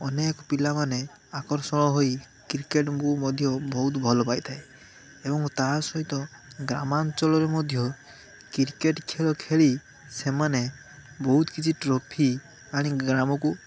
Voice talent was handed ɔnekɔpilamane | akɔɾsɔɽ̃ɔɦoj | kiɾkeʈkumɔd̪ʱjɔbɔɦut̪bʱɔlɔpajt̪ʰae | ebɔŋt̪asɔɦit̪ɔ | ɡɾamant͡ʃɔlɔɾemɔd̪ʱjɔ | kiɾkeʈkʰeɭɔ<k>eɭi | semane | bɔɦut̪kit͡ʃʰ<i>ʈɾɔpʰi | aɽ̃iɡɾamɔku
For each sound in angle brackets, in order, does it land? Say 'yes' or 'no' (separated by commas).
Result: no, yes